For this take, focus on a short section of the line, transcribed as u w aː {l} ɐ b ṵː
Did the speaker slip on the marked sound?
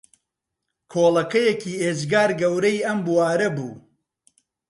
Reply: yes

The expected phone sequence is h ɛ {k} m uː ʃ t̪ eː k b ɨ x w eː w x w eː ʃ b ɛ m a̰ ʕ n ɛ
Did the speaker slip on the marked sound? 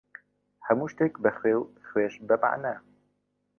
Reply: yes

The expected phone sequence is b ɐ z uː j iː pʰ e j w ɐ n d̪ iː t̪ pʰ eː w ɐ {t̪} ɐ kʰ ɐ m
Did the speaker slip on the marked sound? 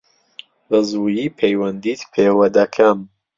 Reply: yes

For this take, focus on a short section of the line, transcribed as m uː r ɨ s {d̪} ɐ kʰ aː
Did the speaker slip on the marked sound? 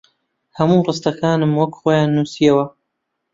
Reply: yes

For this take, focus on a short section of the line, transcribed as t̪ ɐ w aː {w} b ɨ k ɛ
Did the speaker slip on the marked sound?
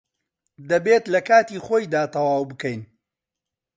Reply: no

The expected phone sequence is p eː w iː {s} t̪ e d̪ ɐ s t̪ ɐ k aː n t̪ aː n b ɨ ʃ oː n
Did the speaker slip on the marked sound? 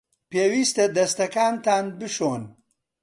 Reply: no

